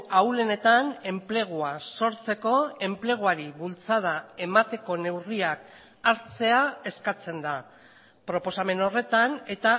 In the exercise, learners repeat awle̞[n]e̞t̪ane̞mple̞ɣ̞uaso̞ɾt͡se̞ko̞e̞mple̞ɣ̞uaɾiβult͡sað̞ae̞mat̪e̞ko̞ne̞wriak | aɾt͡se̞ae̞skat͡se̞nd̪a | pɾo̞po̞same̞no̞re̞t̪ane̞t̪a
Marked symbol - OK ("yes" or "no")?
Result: yes